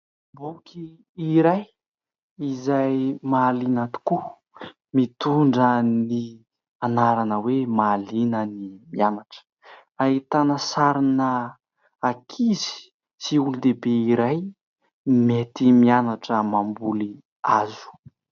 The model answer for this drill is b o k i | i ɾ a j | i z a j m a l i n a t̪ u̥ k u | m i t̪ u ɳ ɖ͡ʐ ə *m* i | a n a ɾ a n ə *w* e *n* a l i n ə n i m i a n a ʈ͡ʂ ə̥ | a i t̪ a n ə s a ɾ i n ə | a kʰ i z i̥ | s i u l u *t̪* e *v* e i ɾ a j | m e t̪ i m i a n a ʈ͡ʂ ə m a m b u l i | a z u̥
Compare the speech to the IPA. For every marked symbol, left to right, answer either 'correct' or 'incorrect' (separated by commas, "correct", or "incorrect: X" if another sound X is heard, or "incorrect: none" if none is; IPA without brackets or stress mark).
incorrect: n, correct, incorrect: m, incorrect: d̪, incorrect: b